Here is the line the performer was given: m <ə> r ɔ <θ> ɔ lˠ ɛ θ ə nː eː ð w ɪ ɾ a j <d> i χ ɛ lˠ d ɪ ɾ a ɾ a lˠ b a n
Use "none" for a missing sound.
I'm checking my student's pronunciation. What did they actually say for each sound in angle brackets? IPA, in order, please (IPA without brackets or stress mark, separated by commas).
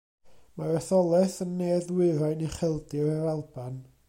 a, θ, n